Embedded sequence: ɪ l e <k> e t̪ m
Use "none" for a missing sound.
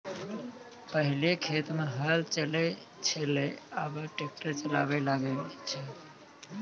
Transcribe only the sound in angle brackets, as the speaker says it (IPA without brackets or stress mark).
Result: kʰ